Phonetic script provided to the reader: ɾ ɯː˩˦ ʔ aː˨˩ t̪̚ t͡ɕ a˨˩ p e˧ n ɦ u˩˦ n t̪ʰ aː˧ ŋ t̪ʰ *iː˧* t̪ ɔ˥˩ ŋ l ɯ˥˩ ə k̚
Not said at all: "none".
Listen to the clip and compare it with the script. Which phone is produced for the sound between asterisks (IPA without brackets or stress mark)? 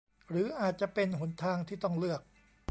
iː˥˩